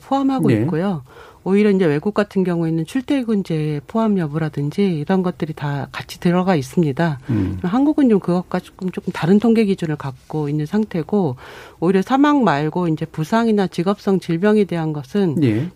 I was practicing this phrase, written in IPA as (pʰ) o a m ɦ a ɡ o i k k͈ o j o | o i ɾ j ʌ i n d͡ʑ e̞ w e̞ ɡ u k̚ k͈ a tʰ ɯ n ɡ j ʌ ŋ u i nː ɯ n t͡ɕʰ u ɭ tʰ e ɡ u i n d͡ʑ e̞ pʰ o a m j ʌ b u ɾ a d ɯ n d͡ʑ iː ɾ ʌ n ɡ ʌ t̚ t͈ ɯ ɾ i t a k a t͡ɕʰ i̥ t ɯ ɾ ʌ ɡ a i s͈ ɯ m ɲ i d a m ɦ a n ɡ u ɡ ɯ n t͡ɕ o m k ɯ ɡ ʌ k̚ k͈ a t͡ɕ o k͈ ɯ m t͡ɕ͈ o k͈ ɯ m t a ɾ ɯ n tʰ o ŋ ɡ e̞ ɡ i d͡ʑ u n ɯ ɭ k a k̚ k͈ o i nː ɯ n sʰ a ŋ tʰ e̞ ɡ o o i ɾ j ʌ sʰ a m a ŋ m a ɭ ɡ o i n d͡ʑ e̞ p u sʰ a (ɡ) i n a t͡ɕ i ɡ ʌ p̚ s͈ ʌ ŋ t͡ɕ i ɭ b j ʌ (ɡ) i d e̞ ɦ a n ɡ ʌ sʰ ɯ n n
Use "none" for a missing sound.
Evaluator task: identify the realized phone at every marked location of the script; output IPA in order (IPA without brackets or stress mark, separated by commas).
pʰ, ŋ, ŋ